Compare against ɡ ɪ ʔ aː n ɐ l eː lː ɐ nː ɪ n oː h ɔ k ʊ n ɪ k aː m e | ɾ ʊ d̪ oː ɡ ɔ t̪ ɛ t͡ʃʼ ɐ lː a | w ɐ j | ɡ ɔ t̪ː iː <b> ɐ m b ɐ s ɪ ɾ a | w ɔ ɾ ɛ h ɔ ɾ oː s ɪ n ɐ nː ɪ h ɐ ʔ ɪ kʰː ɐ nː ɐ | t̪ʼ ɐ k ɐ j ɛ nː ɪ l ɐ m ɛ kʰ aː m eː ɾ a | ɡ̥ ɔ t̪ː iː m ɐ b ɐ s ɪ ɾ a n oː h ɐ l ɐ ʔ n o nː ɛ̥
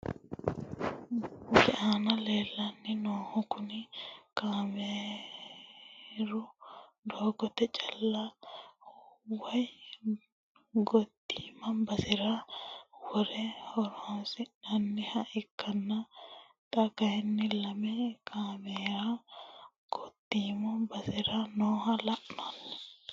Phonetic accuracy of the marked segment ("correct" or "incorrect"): incorrect